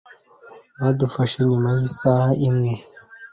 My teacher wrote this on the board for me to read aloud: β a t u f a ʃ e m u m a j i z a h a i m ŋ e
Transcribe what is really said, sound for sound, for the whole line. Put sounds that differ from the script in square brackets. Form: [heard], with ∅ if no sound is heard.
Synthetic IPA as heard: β a [d] u f a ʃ e [ɲ] u m a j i [s] a h a i m ŋ e